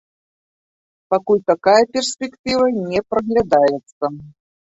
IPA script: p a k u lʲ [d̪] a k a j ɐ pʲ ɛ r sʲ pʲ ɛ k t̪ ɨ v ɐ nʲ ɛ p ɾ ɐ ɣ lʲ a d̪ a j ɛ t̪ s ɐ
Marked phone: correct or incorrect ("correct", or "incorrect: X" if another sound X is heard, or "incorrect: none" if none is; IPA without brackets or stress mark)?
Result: incorrect: t̪